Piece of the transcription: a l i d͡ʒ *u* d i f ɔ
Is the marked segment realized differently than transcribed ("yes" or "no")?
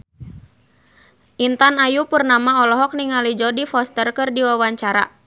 yes